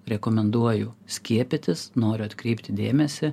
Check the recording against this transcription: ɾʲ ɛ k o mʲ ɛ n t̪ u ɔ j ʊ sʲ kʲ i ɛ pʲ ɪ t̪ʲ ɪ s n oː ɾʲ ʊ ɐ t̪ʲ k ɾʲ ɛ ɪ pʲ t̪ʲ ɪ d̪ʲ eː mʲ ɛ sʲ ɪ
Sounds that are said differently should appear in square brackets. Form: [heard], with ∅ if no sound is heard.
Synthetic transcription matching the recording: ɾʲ ɛ k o mʲ ɛ n [d̪] u ɔ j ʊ sʲ kʲ i ɛ pʲ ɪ t̪ʲ ɪ s n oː ɾʲ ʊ ɐ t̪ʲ k ɾʲ ɛ ɪ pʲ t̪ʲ ɪ d̪ʲ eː mʲ ɛ sʲ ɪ